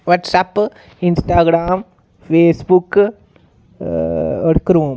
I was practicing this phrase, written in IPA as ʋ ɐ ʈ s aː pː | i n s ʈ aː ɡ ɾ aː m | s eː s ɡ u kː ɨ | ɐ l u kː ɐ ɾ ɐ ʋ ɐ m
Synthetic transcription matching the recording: ʋ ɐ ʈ s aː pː | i n s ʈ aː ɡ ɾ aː m | f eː s b u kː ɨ | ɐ ɽ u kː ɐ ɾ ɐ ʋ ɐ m